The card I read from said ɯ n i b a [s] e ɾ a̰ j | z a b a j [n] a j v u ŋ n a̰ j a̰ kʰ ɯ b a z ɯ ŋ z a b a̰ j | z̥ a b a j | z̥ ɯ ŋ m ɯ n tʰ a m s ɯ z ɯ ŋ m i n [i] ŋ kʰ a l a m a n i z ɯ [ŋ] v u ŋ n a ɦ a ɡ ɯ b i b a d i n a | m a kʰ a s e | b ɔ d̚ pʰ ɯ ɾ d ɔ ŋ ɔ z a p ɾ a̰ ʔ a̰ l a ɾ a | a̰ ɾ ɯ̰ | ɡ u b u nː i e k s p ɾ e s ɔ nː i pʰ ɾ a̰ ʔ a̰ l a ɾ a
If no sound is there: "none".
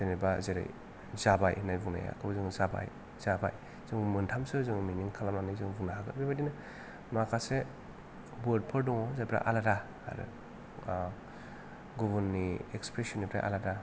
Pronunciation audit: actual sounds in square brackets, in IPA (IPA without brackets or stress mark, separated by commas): z, n, i, ŋ